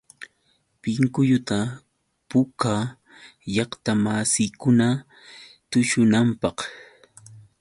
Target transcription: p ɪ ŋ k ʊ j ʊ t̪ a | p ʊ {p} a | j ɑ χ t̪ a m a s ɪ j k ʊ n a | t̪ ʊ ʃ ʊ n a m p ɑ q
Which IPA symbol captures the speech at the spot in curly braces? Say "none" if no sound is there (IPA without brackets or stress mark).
k